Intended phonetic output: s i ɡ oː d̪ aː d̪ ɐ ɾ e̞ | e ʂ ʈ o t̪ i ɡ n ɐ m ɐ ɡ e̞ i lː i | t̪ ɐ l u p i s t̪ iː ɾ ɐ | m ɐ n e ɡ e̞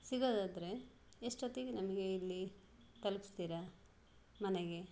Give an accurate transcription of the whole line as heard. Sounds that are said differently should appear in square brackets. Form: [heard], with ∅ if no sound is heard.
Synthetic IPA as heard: s i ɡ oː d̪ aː d̪ ɐ ɾ e̞ | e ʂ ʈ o t̪ i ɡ n ɐ m ɐ ɡ e̞ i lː i | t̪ ɐ l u p i s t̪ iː ɾ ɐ | m ɐ n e ɡ e̞